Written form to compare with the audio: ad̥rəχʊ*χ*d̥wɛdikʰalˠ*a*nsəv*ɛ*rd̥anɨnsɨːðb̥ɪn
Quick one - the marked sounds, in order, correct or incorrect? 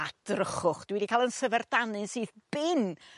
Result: correct, incorrect, correct

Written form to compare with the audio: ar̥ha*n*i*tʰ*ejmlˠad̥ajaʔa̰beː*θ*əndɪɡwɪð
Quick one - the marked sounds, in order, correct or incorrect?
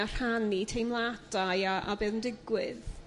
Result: correct, correct, incorrect

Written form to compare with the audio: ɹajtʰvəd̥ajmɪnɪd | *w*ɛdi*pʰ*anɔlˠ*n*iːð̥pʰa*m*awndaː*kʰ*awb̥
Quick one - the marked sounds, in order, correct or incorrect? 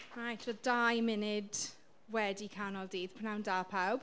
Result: correct, incorrect, incorrect, incorrect, incorrect

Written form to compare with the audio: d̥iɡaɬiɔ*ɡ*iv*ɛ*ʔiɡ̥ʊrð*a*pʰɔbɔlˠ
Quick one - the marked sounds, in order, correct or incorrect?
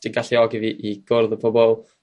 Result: correct, incorrect, incorrect

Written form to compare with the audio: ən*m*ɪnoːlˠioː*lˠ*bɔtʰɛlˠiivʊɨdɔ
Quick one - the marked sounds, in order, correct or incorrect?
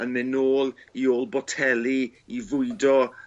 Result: correct, correct

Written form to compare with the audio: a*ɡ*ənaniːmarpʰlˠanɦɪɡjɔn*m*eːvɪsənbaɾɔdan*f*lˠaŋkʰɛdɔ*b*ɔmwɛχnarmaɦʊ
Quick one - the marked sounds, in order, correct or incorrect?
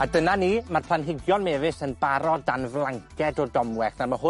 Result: incorrect, correct, incorrect, incorrect

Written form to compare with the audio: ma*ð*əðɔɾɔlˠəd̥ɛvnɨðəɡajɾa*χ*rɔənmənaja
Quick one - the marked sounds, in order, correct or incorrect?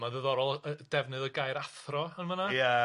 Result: correct, incorrect

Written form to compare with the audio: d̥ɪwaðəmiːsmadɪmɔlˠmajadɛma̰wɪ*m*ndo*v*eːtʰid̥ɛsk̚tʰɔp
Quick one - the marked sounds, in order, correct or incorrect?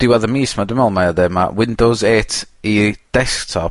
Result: incorrect, incorrect

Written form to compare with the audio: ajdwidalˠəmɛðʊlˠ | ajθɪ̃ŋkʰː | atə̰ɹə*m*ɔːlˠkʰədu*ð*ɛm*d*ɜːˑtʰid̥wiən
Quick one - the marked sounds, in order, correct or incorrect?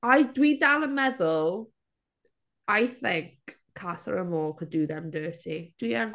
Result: correct, correct, correct

